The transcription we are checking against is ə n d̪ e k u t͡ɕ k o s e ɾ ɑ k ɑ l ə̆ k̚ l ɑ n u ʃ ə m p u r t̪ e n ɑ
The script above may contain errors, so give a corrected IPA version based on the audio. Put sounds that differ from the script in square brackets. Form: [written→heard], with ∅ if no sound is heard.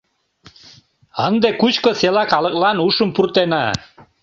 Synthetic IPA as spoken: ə n d̪ e k u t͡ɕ k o s e [ɾ→l] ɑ k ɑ l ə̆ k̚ l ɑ n u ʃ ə m p u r t̪ e n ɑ